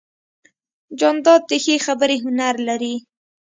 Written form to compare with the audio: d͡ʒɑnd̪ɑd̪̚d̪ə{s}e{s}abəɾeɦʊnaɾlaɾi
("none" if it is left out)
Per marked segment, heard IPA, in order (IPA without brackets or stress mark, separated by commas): x, x